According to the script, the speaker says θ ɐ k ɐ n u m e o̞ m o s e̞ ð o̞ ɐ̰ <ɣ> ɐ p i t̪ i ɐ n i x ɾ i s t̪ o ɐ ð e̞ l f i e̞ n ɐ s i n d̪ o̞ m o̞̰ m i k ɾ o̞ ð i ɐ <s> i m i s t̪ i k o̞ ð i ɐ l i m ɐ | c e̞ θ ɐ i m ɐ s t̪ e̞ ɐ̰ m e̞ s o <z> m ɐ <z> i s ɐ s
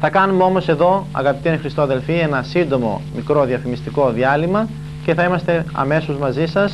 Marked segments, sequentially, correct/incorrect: correct, incorrect, correct, correct

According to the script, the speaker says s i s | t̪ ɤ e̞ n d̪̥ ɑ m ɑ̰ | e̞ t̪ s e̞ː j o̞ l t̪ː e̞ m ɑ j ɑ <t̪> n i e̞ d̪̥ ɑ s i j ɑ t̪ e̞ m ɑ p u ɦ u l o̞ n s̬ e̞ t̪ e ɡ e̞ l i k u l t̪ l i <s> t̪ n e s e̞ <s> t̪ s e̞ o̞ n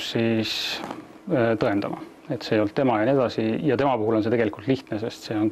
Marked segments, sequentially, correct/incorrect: incorrect, incorrect, correct

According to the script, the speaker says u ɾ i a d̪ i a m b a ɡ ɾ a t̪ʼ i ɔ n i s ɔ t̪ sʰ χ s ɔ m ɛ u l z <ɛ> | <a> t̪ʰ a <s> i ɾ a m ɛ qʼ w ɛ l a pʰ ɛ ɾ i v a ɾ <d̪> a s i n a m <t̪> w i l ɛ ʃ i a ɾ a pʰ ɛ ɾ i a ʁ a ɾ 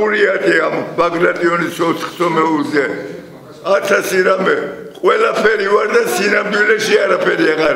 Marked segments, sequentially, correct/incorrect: correct, correct, correct, correct, incorrect

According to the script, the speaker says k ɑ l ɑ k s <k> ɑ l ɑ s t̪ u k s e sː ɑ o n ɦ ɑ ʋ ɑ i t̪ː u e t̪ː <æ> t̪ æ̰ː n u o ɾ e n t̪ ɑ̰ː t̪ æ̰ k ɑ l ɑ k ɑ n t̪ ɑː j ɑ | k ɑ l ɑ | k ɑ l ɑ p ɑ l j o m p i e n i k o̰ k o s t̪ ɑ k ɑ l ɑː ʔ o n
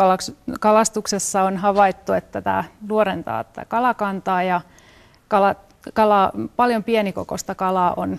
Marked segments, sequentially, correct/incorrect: correct, correct

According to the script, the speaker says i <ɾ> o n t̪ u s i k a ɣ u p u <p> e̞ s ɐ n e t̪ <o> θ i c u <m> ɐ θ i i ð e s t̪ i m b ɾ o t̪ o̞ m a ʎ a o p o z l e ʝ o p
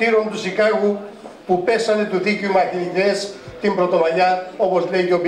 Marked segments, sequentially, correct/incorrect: correct, correct, incorrect, correct

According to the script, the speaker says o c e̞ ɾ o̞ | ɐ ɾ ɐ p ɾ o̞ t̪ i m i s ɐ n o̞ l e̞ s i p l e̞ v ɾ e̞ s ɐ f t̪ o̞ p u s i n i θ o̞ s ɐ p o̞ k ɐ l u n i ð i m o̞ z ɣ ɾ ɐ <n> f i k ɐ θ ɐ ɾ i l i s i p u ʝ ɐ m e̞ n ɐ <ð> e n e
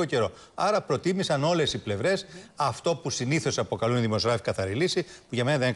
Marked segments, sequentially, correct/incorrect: incorrect, correct

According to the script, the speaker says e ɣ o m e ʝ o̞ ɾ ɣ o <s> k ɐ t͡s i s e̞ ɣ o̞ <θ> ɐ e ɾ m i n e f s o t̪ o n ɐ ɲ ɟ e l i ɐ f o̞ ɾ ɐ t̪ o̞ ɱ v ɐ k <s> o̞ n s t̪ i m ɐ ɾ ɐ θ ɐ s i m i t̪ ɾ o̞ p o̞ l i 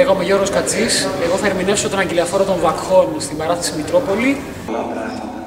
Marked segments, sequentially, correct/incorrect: correct, correct, incorrect

